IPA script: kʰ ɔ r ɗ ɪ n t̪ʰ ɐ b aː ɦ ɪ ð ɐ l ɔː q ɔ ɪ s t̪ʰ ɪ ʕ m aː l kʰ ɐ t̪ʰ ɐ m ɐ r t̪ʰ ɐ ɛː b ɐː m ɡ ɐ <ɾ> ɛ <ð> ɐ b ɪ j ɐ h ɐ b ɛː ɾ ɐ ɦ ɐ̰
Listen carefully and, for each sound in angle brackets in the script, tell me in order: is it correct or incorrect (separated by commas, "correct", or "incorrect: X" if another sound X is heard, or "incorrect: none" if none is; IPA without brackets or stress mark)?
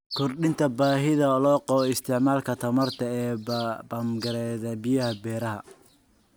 correct, correct